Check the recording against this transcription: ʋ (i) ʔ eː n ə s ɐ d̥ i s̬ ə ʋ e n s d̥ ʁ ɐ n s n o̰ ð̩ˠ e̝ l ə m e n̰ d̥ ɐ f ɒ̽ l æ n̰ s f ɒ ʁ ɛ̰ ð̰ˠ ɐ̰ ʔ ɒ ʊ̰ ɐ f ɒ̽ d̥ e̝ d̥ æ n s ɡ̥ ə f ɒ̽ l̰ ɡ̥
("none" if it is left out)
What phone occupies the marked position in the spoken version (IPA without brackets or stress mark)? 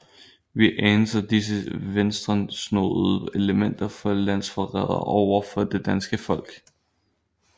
i